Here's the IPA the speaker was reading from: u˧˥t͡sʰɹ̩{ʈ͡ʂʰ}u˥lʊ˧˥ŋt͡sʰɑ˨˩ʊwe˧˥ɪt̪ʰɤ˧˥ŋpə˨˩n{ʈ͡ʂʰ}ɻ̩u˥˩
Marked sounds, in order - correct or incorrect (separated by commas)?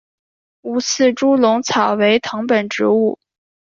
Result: incorrect, incorrect